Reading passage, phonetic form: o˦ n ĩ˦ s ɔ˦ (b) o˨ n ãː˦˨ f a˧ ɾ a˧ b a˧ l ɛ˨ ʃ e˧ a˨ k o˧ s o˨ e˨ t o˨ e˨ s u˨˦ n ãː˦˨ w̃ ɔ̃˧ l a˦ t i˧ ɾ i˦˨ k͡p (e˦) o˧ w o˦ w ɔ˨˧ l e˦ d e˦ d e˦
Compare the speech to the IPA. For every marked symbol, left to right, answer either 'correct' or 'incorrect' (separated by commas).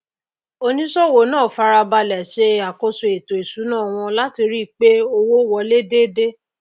incorrect, correct